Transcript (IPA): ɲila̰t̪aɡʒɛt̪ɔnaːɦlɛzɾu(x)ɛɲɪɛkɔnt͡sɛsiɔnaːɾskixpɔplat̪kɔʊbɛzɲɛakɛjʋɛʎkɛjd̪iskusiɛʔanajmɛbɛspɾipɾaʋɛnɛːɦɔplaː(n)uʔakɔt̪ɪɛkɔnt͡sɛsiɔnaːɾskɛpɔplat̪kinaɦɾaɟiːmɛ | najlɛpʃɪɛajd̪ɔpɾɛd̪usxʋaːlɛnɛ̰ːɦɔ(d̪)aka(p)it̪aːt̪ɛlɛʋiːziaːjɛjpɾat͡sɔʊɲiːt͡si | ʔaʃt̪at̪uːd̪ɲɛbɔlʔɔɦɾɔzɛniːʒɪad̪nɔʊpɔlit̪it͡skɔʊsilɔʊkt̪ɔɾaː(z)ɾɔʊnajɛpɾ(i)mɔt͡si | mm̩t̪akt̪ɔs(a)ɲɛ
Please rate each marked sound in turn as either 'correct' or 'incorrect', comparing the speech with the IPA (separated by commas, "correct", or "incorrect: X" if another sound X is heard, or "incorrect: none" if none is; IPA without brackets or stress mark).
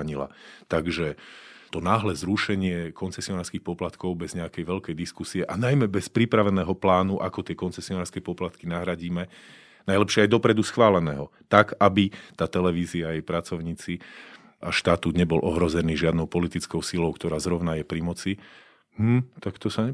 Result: incorrect: ʃ, correct, incorrect: t̪, incorrect: b, correct, correct, correct